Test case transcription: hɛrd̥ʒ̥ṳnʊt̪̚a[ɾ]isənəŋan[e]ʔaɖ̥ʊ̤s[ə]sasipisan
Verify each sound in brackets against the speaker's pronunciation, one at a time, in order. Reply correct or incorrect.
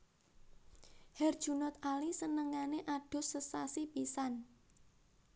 incorrect, correct, correct

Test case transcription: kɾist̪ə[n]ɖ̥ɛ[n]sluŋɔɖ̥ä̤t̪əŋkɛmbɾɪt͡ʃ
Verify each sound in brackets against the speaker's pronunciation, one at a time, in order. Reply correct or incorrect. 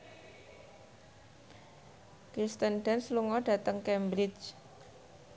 correct, correct

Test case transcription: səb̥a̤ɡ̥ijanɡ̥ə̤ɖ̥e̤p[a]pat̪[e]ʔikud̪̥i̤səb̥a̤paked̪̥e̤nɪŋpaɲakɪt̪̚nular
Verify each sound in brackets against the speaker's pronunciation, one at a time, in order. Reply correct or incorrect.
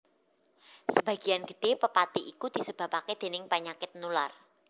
incorrect, incorrect

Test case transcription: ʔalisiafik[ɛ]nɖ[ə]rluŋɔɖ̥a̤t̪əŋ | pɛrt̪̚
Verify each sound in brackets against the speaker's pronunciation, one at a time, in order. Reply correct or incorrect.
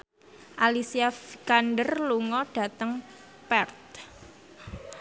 incorrect, correct

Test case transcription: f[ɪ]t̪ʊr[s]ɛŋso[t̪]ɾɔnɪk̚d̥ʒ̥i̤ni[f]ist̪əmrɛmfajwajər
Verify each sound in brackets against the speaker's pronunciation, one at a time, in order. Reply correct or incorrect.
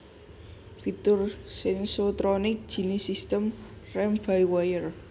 incorrect, correct, correct, incorrect

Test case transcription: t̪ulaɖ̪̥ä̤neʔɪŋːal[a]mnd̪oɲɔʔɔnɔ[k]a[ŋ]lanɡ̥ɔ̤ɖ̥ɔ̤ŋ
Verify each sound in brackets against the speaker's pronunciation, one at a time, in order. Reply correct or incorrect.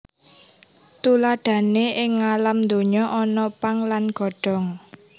correct, incorrect, correct

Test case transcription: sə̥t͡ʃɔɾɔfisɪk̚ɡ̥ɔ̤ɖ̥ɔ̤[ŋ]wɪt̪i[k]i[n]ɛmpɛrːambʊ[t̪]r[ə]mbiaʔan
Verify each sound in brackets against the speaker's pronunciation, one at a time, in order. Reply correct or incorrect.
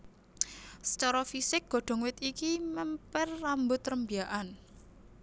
correct, correct, incorrect, correct, correct

